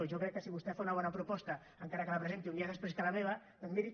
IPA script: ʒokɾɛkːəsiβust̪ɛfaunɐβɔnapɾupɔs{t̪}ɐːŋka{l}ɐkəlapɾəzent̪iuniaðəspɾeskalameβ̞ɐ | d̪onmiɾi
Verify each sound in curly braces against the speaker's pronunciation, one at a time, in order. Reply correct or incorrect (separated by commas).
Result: correct, incorrect